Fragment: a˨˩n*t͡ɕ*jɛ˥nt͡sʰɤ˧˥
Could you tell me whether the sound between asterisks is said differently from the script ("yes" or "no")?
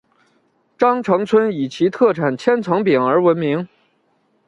yes